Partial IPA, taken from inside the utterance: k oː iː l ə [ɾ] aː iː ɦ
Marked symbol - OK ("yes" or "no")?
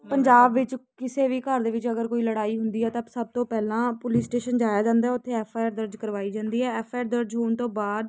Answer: no